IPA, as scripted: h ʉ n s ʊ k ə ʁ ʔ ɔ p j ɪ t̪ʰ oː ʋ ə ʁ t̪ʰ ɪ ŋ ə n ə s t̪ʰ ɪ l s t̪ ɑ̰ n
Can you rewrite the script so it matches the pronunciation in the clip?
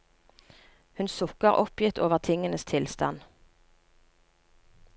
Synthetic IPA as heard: h ʉ n s ʊ k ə ʁ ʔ ɔ p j ɪ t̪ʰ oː ʋ ə ʁ t̪ʰ ɪ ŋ ə n ə s t̪ʰ ɪ l s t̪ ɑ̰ n